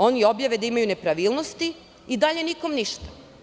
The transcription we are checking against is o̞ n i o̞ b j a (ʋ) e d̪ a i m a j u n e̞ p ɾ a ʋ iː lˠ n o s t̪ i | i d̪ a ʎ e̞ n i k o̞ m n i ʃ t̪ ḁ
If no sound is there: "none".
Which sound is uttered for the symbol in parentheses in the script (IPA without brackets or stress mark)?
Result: ʋ